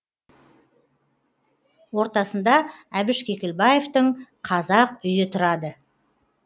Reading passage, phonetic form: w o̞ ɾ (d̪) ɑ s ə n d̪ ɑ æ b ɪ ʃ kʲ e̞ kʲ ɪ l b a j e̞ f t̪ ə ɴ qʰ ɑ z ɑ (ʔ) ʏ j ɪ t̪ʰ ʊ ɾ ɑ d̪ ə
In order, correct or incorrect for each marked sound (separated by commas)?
incorrect, incorrect